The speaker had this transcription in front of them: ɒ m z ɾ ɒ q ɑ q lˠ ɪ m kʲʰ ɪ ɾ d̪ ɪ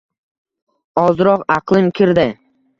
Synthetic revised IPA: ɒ z ɾ ɒ q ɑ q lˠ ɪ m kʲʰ ɪ ɾ d̪ ɪ